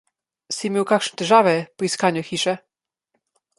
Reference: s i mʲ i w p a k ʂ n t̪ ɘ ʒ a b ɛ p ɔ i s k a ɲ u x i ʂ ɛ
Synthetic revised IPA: s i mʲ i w k a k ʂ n t̪ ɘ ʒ a v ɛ p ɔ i s k a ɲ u x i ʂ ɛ